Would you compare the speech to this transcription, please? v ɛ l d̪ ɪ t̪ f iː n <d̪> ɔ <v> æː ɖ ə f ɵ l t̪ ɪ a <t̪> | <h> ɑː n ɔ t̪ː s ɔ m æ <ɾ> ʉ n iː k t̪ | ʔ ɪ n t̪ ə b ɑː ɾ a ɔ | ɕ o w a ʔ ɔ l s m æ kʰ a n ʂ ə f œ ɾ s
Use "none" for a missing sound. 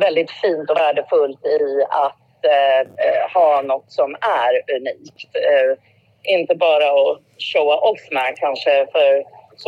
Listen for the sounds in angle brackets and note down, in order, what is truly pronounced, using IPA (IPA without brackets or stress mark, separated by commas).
t̪, v, t̪, h, ɾ